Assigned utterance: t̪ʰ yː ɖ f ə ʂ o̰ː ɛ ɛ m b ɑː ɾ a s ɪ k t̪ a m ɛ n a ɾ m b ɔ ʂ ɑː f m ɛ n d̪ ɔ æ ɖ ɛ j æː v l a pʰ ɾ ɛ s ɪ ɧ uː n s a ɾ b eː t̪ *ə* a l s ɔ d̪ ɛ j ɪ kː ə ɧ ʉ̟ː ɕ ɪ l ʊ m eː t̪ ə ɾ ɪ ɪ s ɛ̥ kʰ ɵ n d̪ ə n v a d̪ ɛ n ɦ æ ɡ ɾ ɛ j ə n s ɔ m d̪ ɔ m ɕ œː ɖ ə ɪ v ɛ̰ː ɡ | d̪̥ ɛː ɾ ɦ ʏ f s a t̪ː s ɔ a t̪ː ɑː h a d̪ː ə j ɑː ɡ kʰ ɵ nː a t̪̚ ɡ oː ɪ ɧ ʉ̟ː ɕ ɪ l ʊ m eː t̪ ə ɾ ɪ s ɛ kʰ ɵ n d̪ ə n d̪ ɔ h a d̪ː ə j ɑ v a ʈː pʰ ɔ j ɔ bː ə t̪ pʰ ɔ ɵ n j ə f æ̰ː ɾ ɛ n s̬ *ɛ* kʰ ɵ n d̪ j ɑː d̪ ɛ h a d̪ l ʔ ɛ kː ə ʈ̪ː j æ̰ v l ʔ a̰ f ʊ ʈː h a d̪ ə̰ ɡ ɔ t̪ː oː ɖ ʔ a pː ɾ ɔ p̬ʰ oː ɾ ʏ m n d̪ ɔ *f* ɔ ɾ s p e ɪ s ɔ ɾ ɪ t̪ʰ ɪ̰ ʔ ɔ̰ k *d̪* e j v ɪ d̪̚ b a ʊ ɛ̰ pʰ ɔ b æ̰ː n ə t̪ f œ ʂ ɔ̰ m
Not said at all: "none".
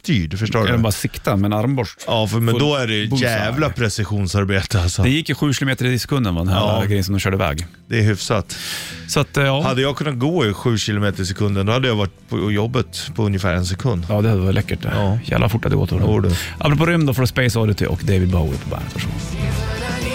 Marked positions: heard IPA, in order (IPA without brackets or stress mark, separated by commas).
ə, ɛ, f, d̪